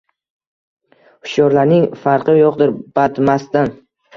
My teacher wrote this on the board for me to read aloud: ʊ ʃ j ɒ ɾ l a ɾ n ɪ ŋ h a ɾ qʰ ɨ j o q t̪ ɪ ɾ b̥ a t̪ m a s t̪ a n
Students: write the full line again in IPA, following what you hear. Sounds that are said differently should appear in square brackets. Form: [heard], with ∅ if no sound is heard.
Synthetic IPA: ʊ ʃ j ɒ ɾ l a ɾ n ɪ ŋ [f] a ɾ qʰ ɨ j o q [d̪] ɪ ɾ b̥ a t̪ m a s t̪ a n